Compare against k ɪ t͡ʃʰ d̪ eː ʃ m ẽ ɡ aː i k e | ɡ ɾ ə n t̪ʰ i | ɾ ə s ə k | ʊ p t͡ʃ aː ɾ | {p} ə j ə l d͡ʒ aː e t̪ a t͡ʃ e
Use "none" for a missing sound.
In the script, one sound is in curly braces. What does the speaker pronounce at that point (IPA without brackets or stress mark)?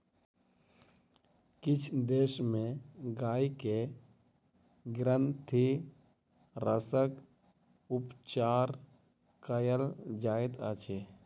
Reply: k